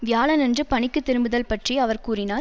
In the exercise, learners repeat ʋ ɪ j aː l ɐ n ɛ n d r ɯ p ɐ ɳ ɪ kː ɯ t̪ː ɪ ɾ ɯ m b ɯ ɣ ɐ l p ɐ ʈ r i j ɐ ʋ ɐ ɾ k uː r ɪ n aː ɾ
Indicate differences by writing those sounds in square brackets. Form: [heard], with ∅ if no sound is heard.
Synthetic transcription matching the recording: ʋ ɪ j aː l ɐ n ɛ n d r ɯ p ɐ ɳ ɪ kː ɯ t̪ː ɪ ɾ ɯ m b ɯ [ð] ɐ l p ɐ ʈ r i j ɐ ʋ ɐ ɾ k uː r ɪ n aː ɾ